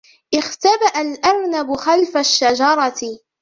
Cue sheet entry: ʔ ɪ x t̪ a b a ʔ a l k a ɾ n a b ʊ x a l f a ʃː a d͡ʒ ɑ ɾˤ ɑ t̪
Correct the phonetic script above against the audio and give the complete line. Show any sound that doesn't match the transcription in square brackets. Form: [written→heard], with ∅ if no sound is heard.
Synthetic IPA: ʔ ɪ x t̪ a b a ʔ a l [k→ʔ] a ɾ n a b ʊ x a l f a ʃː a d͡ʒ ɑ ɾˤ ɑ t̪